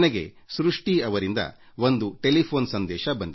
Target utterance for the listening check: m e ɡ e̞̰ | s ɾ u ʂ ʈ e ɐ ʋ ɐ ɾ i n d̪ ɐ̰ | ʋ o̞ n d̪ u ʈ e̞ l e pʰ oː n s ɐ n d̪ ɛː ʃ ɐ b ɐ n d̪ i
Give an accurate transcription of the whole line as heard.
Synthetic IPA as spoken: n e ɡ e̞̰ | s ɾ u ʂ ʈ i ɐ ʋ ɐ ɾ i n d̪ ɐ̰ | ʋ o̞ n d̪ u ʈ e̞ l i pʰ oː n s ɐ n d̪ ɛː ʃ ɐ b ɐ n d̪ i